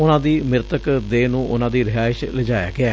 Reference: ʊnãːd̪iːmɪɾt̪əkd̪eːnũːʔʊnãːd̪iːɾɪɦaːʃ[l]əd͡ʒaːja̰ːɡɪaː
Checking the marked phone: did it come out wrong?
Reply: no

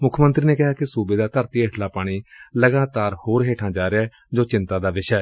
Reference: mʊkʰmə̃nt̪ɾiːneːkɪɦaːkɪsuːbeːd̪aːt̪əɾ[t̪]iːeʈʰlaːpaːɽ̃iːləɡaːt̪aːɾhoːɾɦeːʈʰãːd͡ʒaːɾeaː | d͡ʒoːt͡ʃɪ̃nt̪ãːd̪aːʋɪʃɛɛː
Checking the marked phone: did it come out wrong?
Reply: no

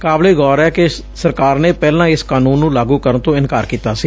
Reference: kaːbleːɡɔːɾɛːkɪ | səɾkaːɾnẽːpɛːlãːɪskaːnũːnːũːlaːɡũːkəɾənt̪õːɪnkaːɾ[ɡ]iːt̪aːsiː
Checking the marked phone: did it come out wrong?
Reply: yes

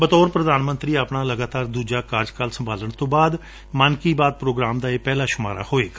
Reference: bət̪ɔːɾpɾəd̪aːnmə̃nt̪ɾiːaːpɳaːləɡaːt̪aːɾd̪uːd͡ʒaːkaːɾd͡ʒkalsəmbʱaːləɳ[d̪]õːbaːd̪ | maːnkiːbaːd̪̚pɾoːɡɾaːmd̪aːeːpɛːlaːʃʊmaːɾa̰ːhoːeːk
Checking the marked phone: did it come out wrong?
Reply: yes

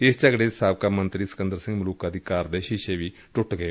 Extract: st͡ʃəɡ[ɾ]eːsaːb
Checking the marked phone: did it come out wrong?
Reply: yes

